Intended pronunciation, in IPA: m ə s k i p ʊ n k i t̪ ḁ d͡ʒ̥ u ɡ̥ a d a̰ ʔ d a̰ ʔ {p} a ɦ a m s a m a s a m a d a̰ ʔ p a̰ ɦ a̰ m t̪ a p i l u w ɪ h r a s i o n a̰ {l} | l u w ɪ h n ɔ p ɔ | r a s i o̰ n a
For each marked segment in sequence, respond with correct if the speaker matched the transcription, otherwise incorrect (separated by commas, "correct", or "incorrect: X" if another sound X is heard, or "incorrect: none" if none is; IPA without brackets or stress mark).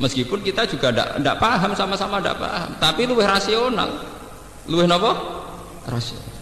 correct, correct